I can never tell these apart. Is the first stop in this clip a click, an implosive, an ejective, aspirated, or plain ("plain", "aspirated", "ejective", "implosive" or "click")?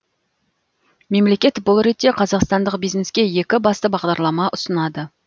plain